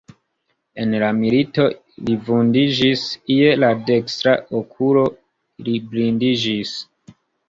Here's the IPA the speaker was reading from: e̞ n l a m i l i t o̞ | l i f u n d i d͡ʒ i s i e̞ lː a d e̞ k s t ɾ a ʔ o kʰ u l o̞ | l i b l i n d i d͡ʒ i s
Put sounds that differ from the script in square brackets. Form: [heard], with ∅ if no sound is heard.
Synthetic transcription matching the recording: e̞ n l a m i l i t o̞ | l i [v] u n d i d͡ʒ i s i e̞ [l] a d e̞ k s t ɾ a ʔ o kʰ u l o̞ | l i b l i n d i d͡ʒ i s